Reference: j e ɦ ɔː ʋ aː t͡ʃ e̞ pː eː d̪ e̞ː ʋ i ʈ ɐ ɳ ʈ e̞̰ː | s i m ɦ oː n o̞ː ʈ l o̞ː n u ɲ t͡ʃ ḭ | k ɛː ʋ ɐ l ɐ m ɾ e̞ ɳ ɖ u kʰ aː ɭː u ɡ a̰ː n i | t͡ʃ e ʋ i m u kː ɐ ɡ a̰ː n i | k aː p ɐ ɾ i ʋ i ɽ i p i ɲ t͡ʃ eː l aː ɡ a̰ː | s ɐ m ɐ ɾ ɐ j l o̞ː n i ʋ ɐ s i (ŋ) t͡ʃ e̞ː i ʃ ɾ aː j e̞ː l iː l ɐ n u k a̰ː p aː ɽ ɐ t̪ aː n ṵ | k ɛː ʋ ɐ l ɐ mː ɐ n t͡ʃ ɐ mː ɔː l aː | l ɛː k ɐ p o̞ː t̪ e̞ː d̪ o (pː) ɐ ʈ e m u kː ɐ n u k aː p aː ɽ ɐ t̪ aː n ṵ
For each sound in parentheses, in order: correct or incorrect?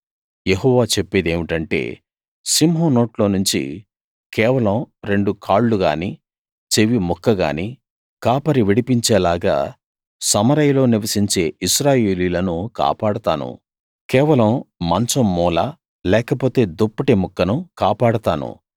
incorrect, correct

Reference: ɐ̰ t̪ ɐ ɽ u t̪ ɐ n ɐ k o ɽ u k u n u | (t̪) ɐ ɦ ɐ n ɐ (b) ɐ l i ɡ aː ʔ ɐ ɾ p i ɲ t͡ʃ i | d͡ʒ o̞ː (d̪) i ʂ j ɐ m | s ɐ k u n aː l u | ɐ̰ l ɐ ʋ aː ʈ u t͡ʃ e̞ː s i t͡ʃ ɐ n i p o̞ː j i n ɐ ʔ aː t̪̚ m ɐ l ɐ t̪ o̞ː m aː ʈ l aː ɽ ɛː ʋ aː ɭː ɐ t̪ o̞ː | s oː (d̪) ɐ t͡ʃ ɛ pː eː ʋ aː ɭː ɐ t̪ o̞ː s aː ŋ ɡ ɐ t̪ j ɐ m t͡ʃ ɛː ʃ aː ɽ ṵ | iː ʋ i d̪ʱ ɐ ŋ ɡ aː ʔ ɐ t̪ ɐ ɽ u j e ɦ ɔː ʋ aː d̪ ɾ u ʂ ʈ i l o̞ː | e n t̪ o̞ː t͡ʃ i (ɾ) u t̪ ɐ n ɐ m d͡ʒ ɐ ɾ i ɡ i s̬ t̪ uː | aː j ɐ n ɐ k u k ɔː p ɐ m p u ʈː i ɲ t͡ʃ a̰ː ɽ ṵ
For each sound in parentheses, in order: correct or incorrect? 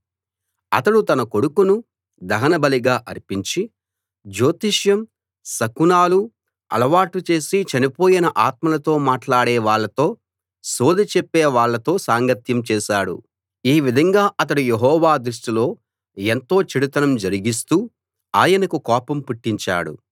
incorrect, correct, incorrect, correct, incorrect

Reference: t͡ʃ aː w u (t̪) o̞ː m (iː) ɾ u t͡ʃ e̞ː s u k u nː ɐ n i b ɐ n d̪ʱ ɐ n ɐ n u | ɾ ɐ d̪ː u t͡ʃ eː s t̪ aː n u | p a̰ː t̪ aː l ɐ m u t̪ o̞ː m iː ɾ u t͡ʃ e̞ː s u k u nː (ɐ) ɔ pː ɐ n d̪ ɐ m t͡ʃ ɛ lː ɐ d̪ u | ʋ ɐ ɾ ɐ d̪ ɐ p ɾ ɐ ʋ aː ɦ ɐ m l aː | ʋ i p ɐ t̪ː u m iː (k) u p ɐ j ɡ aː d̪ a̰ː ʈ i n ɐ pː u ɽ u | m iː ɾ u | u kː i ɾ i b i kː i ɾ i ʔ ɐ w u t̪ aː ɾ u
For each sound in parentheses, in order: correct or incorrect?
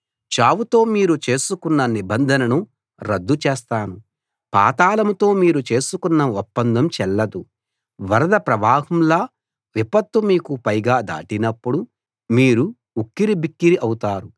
correct, correct, correct, correct

